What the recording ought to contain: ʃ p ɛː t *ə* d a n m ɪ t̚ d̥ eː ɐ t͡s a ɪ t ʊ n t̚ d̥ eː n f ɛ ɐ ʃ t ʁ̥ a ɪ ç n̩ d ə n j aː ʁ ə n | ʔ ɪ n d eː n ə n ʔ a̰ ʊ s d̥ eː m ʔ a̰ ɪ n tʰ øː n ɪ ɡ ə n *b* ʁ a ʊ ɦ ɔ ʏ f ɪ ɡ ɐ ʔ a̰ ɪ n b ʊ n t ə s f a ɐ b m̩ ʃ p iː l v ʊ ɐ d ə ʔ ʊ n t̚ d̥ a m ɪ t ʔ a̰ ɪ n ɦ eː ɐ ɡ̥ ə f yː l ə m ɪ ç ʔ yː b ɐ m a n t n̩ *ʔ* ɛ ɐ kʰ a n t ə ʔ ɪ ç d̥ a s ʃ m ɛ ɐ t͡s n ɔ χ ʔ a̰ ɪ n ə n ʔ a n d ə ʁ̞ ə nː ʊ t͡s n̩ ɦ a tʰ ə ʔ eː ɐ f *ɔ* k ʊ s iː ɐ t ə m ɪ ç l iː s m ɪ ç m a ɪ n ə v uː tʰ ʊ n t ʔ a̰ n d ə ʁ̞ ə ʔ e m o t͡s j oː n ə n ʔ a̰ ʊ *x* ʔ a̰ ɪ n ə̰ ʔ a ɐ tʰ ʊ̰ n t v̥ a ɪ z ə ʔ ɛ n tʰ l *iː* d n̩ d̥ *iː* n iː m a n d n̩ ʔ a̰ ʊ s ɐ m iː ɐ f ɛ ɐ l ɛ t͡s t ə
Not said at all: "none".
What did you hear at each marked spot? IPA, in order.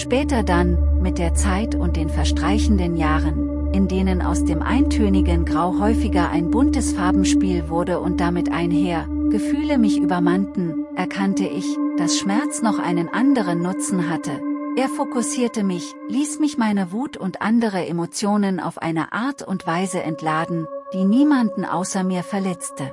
ɐ, ɡ, ʔ, o, f, aː, iː

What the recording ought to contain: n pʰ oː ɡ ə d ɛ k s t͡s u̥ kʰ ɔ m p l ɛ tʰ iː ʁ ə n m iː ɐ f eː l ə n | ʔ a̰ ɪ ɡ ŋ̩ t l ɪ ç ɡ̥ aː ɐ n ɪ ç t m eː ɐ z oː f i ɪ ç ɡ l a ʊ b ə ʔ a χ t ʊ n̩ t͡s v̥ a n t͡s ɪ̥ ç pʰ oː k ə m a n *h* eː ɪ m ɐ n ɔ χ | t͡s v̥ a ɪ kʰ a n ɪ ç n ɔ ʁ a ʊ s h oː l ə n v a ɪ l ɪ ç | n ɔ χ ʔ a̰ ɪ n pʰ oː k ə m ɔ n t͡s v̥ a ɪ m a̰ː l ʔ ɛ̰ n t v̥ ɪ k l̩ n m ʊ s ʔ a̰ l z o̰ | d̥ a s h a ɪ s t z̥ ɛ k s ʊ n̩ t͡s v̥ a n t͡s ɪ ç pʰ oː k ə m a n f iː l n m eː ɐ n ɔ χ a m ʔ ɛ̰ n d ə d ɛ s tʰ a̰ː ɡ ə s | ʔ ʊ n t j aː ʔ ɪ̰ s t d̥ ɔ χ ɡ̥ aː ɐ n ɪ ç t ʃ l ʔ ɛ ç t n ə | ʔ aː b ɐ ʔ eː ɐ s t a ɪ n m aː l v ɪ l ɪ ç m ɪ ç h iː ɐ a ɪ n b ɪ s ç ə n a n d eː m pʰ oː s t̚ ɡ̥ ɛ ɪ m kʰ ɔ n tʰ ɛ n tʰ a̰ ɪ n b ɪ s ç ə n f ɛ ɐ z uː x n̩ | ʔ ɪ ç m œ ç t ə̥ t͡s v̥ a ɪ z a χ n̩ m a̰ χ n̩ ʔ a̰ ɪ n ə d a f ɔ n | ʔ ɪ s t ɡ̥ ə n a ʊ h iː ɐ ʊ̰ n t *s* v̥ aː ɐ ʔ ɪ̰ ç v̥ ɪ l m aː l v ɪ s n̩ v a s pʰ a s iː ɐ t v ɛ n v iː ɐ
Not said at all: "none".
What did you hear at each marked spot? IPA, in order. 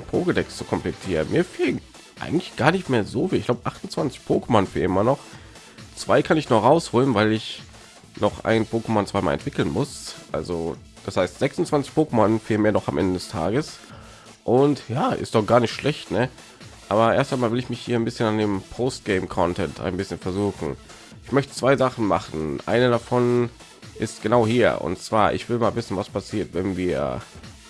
f, t͡s

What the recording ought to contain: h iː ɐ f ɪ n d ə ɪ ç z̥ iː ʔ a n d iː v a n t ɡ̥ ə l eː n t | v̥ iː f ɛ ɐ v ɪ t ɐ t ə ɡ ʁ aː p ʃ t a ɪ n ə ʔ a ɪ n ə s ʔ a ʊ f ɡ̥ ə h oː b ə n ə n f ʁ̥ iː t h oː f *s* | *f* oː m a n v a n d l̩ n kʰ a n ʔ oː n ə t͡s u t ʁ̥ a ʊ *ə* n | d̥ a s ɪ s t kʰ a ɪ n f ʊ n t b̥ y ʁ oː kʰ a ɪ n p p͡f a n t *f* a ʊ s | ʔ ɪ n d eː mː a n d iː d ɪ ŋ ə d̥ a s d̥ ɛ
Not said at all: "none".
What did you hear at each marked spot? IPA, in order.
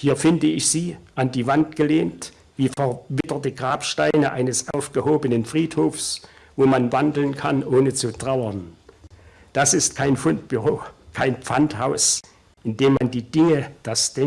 s, v, ɐ, h

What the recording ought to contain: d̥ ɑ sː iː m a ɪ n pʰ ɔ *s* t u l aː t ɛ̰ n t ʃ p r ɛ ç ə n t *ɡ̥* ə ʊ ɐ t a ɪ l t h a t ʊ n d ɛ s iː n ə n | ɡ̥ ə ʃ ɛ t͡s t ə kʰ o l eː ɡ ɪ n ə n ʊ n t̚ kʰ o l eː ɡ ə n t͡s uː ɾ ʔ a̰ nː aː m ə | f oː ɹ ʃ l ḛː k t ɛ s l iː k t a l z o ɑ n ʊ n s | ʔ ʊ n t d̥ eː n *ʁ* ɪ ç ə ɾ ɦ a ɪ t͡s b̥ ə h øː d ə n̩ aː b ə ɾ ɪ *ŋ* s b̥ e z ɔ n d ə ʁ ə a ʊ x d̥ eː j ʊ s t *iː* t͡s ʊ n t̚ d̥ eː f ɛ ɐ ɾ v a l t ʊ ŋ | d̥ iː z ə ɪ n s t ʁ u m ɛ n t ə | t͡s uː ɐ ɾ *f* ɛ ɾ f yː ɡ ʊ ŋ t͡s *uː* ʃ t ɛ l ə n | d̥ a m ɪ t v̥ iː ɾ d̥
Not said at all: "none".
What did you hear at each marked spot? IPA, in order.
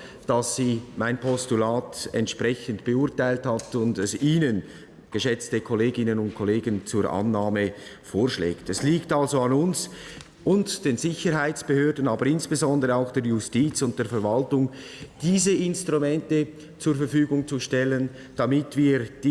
s, b̥, z, n, iː, f, u

